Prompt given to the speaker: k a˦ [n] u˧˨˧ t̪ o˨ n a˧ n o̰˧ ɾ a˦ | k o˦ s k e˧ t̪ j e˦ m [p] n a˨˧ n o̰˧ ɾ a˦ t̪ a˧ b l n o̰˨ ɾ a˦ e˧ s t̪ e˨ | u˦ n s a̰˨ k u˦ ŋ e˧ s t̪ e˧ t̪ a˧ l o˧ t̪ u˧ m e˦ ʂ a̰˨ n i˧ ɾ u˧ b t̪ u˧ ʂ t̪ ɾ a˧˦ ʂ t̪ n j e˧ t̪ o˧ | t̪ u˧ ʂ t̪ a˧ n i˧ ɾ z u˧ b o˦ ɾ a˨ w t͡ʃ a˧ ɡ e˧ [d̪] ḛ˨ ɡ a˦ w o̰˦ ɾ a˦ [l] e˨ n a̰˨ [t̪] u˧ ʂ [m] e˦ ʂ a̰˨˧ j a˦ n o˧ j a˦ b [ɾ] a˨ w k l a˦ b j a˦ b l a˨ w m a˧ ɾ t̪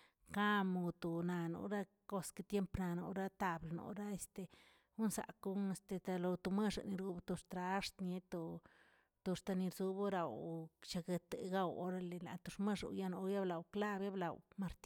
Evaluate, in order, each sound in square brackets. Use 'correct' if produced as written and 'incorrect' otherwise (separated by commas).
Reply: incorrect, correct, incorrect, correct, correct, correct, incorrect